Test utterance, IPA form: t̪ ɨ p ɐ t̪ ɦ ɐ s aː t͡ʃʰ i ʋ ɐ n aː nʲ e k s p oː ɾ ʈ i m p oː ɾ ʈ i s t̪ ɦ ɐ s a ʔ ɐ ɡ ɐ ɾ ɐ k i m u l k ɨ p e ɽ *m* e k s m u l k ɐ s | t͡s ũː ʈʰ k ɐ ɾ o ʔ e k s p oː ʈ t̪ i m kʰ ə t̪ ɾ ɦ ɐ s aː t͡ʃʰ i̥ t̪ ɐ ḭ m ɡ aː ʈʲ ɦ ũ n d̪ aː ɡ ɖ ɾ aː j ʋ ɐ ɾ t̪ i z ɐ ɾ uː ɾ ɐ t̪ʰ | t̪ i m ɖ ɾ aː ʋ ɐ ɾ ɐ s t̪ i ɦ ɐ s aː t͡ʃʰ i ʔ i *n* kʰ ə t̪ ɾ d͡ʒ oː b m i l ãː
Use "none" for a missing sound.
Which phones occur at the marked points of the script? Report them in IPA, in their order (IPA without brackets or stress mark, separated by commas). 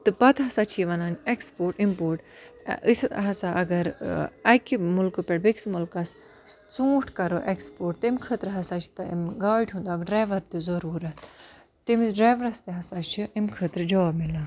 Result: b, m